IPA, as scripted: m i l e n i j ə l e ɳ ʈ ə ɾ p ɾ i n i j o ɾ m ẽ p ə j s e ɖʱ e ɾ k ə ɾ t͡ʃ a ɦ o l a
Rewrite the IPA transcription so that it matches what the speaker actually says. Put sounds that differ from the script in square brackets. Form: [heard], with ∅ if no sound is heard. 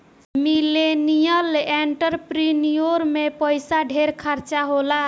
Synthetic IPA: m i l e n i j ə l e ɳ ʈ ə ɾ p ɾ i n i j o ɾ m [e] p ə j s [a] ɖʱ e ɾ [kʰ] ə ɾ t͡ʃ a ɦ o l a